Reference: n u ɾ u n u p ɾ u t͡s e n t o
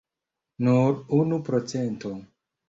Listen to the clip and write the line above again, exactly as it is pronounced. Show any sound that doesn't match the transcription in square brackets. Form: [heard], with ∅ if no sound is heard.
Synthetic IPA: n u ɾ u n u p ɾ [o] t͡s e n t o

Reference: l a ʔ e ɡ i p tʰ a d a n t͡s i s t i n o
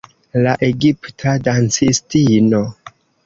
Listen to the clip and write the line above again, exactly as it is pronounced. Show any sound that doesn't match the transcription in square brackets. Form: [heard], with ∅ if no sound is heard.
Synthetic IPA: l a ʔ e ɡ i p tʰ a d a n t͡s i s t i n o

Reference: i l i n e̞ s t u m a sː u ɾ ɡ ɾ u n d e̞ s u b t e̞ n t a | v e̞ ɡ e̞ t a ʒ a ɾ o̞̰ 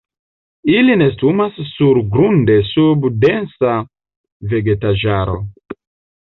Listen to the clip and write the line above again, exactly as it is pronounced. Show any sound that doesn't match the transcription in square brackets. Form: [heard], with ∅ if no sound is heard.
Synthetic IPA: i l i n e̞ s t u m a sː u ɾ ɡ ɾ u n d e̞ s u b [d] e̞ n [s] a | v e̞ ɡ e̞ t a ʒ a ɾ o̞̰

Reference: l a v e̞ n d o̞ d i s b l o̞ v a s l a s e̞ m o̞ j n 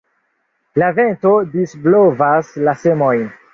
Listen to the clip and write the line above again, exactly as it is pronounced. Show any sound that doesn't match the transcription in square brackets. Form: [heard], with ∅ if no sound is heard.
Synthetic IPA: l a v e̞ n [t] o̞ d i s b l o̞ v a s l a s e̞ m o̞ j n

